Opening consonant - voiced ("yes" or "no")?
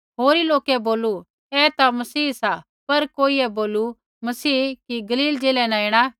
yes